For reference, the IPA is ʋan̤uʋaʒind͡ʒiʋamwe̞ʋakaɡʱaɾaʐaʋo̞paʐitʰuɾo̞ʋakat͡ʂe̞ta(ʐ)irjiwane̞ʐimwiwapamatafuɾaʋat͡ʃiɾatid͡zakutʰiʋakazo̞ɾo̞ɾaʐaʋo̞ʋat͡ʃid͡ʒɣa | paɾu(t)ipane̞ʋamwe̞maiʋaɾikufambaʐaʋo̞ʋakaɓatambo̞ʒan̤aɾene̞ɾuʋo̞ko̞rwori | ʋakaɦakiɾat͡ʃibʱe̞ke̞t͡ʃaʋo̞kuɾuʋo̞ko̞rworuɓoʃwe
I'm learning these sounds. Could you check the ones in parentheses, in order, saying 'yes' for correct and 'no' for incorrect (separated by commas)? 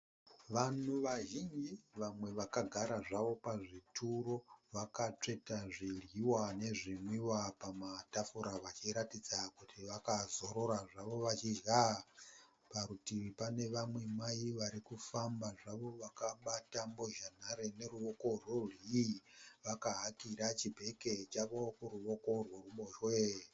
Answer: yes, yes